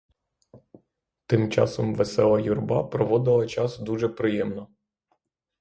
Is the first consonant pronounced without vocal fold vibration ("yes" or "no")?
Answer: yes